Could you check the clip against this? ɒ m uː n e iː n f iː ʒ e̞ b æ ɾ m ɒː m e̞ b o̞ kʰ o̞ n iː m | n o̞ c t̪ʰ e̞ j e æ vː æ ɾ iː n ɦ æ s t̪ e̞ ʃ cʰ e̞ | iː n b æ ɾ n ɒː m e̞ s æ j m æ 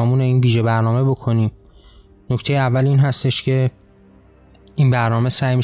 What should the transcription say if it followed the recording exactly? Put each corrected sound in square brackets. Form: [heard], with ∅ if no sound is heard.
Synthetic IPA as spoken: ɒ m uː n e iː n [v] iː ʒ e̞ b æ ɾ [n] ɒː m e̞ b o̞ kʰ o̞ n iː m | n o̞ c t̪ʰ e̞ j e æ vː æ [l] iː n ɦ æ s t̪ e̞ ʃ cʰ e̞ | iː n b æ ɾ n ɒː m e̞ s æ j m [i]